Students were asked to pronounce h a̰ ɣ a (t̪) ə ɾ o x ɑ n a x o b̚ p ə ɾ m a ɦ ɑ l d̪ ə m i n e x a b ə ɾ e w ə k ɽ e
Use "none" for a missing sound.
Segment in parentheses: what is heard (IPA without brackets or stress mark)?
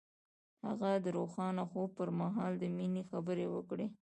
d̪